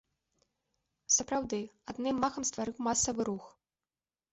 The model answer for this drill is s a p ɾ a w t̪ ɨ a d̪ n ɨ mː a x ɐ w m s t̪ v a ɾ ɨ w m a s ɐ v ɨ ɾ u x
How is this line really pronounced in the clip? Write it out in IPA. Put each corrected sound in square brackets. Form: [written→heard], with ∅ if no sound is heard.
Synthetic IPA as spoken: s [a→ɐ] p ɾ a w [t̪→d̪] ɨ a d̪ n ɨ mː a x ɐ [w→∅] m s t̪ v a ɾ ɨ w m a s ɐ v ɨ ɾ u x